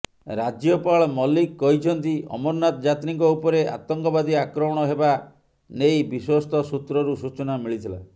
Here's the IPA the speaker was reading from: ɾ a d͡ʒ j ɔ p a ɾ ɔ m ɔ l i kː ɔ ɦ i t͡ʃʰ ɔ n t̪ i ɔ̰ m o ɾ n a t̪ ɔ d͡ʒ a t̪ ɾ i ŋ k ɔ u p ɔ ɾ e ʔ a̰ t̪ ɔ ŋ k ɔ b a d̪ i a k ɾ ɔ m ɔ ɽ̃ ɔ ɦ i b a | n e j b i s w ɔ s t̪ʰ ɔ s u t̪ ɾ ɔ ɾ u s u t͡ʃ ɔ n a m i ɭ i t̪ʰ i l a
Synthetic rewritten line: ɾ a d͡ʒ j ɔ p a ɭ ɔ m ɔ l i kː ɔ ɦ i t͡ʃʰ ɔ n t̪ i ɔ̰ m ɔ ɾ n a t̪ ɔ d͡ʒ a t̪ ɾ i ŋ k ɔ u p ɔ ɾ e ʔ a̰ t̪ ɔ ŋ k ɔ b a d̪ i a k ɾ ɔ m ɔ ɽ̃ ɔ ɦ e b a | n e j b i s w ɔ s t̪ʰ ɔ s u t̪ ɾ ɔ ɾ u s u t͡ʃ ɔ n a m i ɭ i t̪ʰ i l a